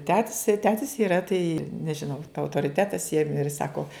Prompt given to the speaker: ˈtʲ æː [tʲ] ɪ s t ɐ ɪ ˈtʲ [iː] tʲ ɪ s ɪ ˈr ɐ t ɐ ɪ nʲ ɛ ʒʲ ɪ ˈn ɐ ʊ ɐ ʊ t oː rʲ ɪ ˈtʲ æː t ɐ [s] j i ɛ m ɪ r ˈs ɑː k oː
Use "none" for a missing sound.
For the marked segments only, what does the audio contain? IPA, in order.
tʲ, æː, s

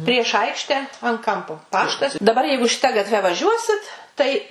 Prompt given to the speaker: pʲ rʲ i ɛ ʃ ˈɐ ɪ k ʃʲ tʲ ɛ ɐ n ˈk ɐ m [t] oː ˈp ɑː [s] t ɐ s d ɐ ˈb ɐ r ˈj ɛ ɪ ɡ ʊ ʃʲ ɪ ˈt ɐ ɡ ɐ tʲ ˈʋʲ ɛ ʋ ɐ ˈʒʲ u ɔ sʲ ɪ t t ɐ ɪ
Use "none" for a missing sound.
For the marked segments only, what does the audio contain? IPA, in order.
p, ʃ

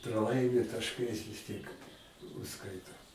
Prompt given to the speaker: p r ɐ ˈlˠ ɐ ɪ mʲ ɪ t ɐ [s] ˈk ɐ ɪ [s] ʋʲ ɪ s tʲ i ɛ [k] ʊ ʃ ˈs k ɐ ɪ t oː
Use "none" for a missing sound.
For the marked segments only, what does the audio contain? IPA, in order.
ʃ, s, k

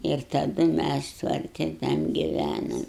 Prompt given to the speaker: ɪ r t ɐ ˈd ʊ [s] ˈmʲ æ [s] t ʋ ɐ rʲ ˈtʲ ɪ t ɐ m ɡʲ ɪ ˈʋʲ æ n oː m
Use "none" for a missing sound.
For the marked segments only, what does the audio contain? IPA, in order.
none, s

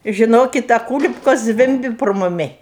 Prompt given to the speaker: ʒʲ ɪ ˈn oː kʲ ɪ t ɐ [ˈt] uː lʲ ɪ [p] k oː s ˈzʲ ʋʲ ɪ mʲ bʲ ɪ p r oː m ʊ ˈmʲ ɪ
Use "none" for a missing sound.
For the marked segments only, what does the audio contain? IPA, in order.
k, p

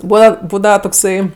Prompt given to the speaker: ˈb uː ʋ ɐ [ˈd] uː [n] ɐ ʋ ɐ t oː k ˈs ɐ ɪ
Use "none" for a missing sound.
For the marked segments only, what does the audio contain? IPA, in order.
b, d

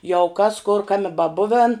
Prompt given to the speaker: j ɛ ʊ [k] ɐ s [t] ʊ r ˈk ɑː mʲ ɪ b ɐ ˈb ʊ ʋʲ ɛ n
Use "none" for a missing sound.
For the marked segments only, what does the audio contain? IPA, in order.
k, k

